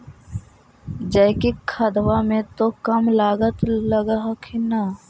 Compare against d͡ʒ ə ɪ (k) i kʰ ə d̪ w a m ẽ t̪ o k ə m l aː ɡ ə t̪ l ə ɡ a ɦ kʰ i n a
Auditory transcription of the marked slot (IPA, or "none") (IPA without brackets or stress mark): k